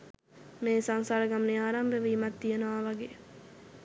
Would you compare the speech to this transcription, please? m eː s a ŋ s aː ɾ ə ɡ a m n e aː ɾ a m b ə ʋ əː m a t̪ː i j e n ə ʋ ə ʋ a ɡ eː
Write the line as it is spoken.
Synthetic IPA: m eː s a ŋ s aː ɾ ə ɡ a m n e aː ɾ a m b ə ʋ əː m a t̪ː i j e n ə ʋ a ʋ a ɡ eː